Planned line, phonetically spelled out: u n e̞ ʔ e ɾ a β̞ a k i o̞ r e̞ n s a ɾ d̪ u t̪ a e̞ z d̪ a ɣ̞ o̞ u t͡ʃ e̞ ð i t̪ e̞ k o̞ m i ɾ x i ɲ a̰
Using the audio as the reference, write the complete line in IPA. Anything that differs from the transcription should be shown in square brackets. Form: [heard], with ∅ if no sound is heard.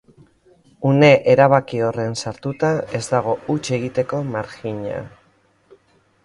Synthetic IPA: u n e̞ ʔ e ɾ a β̞ a k i o̞ r e̞ n s a ɾ [t̪] u t̪ a e̞ z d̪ a ɣ̞ o̞ u t͡ʃ e̞ [ɣ] i t̪ e̞ k o̞ m [a] ɾ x i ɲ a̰